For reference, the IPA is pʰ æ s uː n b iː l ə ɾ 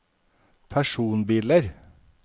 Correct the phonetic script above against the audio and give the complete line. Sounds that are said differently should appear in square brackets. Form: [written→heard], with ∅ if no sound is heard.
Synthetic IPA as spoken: pʰ æ [s→ʃ] uː n b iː l ə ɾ

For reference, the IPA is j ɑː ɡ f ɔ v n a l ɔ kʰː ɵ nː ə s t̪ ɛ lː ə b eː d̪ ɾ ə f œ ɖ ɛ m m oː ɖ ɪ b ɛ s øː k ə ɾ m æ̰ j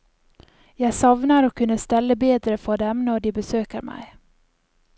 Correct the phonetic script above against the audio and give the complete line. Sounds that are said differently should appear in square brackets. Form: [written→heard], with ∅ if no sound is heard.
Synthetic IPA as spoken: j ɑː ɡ [f→s] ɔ v n a [l→ɾ] ɔ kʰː ɵ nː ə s t̪ ɛ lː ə b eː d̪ ɾ ə f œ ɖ ɛ m [m→n] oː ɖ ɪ b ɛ s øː k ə ɾ m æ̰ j

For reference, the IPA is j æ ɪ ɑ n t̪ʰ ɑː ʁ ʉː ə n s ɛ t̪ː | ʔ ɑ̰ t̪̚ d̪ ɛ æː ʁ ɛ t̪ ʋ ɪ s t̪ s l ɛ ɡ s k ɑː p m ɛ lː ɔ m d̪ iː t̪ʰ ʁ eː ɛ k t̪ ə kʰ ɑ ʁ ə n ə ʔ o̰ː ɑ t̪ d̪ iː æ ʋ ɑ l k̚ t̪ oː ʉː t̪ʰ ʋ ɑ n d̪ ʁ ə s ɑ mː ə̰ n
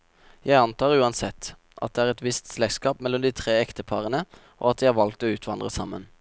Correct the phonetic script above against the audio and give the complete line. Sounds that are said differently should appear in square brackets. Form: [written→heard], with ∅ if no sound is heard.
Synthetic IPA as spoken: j æ ɪ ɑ n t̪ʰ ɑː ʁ ʉː [ə→ɑ] n s ɛ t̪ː | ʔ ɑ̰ t̪̚ d̪ ɛ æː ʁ ɛ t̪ ʋ ɪ s t̪ s l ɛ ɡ s k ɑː p m ɛ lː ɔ m d̪ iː t̪ʰ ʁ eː ɛ k t̪ ə [kʰ→pʰ] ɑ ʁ ə n ə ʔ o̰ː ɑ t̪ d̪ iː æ ʋ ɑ l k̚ t̪ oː ʉː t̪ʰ ʋ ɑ n d̪ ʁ ə s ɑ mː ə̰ n

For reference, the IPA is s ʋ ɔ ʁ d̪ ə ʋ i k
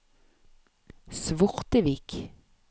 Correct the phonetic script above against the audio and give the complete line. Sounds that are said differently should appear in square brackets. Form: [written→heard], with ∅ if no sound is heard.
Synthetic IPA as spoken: s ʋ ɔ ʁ [d̪→t̪] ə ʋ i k

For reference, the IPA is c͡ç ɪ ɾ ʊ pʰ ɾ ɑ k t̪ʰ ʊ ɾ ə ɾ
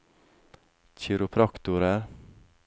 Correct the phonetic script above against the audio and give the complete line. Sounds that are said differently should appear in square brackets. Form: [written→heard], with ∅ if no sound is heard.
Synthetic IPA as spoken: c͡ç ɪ ɾ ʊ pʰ ɾ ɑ k [t̪ʰ→t̪] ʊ ɾ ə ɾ

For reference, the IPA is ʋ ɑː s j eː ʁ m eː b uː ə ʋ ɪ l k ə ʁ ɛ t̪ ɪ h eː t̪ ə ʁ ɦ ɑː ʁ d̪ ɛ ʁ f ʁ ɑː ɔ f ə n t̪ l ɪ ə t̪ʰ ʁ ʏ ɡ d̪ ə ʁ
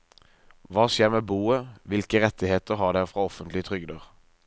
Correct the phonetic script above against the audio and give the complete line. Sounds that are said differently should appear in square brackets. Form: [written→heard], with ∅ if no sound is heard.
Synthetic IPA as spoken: ʋ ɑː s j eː ʁ m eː b uː ə ʋ ɪ l k ə ʁ ɛ t̪ ɪ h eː t̪ ə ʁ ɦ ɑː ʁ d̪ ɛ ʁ f ʁ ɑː ɔ f ə n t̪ l ɪ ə t̪ʰ ʁ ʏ ɡ d̪ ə ʁ

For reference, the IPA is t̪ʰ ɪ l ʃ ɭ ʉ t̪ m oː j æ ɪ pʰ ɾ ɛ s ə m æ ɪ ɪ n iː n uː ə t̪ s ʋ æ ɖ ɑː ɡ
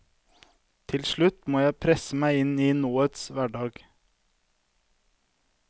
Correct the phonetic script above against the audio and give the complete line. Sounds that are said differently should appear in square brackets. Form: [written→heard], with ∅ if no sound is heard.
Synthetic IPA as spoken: t̪ʰ ɪ l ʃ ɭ ʉ t̪ m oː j æ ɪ pʰ ɾ ɛ s ə m æ ɪ ɪ n iː n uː ə t̪ s ʋ æ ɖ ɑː ɡ

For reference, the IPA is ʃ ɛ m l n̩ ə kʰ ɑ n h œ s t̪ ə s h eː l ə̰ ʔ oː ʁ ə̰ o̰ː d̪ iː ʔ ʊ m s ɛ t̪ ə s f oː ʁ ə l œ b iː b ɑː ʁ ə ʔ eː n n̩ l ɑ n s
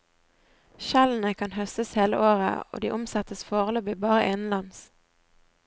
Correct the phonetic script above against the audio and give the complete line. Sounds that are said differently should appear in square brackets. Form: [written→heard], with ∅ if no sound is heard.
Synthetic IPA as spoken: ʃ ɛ [m→∅] l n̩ ə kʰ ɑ n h œ s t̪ ə s h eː l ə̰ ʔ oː ʁ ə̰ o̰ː d̪ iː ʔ ʊ m s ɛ t̪ ə s f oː ʁ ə l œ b iː b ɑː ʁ ə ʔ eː n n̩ l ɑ n s

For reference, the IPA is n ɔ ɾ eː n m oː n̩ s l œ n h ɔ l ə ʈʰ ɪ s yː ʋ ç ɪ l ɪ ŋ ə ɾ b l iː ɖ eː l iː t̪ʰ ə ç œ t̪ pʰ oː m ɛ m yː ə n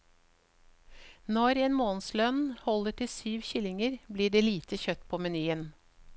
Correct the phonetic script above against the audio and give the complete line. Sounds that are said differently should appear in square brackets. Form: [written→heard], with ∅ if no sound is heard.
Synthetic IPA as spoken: n ɔ ɾ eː n m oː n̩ s l œ n h ɔ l ə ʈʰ ɪ s yː ʋ ç ɪ l ɪ ŋ ə ɾ b l iː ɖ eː l iː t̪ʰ ə ç œ t̪ pʰ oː m ɛ [m→n] yː ə n

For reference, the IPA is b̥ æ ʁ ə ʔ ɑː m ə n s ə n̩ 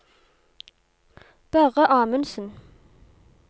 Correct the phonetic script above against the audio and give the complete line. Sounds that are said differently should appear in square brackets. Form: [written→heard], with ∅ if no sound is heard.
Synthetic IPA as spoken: b̥ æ ʁ ə ʔ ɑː m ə n s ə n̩

